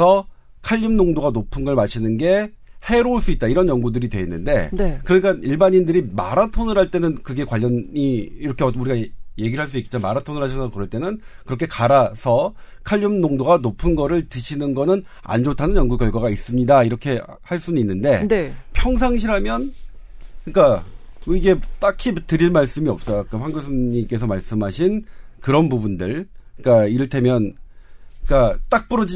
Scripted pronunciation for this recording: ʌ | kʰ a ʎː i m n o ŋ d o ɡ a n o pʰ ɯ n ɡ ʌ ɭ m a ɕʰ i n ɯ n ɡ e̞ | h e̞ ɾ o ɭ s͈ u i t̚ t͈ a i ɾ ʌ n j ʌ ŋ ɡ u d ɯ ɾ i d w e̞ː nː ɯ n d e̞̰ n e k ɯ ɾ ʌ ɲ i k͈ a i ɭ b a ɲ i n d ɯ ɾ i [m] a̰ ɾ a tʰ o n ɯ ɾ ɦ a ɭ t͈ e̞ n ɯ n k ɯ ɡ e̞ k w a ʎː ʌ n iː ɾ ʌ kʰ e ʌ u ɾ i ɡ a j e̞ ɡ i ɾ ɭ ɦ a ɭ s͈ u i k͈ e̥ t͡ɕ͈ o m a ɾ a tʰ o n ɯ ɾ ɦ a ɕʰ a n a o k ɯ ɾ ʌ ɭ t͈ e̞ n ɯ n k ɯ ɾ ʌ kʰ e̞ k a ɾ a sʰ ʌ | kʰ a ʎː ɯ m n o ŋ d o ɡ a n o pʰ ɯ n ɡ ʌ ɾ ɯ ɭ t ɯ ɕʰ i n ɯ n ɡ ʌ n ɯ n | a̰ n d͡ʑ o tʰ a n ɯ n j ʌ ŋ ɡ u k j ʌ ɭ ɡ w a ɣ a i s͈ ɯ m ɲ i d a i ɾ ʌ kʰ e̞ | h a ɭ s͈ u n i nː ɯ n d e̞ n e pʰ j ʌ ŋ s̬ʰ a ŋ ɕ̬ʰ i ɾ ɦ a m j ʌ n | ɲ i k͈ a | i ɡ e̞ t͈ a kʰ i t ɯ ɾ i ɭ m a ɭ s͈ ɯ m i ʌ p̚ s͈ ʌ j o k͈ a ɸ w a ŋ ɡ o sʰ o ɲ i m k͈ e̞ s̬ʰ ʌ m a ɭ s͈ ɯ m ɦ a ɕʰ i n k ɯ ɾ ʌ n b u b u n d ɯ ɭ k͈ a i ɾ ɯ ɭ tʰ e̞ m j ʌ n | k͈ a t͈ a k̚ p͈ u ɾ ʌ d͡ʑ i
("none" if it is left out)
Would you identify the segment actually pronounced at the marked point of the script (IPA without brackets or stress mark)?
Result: m